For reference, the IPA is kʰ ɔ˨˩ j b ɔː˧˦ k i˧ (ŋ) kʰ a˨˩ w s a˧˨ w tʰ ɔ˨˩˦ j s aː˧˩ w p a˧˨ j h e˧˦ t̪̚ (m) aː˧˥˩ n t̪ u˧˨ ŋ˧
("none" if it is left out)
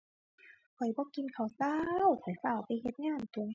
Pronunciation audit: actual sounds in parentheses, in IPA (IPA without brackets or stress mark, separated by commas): n, ŋ